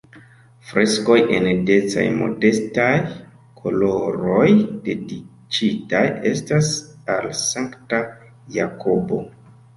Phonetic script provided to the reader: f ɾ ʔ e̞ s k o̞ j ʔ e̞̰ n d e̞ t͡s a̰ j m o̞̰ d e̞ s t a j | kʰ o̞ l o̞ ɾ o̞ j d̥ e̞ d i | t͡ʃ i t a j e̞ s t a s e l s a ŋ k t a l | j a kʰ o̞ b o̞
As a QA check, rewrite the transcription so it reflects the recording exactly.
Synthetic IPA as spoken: f ɾ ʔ e̞ s k o̞ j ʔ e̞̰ n d e̞ t͡s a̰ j m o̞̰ d e̞ s t a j | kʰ o̞ l o̞ ɾ o̞ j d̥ e̞ d i | t͡ʃ i t a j e̞ s t a s a l s a ŋ k t a | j a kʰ o̞ b o̞